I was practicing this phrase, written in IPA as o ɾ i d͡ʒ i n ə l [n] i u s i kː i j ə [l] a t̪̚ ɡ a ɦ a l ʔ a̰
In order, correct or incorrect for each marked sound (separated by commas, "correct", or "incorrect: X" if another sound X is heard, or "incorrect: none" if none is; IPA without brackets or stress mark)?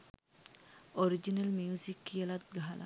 incorrect: m, correct